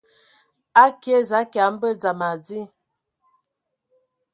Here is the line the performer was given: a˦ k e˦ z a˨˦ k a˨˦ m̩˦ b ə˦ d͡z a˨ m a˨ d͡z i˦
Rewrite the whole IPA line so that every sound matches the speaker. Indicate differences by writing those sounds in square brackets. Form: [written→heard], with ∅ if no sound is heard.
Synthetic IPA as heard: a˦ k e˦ z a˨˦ k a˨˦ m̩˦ b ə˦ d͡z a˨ m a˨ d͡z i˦